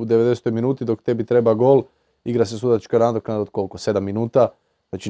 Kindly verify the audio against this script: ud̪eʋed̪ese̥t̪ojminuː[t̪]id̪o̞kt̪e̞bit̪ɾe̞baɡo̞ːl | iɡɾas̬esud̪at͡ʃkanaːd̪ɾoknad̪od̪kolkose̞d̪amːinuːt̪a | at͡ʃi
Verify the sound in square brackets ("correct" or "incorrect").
correct